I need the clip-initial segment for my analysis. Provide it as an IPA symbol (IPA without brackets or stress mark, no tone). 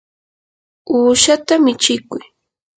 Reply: uː